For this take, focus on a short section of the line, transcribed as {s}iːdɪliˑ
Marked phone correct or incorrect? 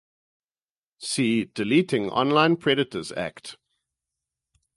correct